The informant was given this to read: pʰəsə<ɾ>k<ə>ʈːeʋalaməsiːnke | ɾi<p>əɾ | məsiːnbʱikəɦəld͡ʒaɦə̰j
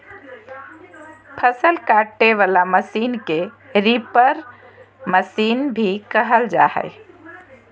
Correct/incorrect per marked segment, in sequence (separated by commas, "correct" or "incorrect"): incorrect, incorrect, correct